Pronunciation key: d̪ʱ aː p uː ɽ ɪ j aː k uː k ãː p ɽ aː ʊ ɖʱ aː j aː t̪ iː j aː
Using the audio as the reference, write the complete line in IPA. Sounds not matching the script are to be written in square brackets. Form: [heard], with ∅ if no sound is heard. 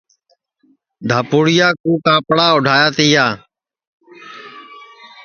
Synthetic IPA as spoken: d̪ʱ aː p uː ɽ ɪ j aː k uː k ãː p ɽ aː ʊ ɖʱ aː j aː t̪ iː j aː